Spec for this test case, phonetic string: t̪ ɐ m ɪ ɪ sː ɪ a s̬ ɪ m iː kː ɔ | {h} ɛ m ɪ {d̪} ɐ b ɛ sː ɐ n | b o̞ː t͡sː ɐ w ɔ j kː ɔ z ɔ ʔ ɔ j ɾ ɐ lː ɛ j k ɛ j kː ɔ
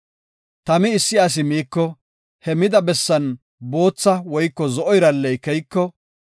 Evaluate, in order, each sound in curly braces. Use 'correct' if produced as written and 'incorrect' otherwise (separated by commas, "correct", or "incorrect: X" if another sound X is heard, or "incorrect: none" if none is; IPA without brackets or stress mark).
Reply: correct, correct